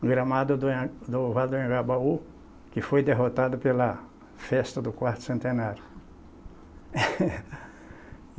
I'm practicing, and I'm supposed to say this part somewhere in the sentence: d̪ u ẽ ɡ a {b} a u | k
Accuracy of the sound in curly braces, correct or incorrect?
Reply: correct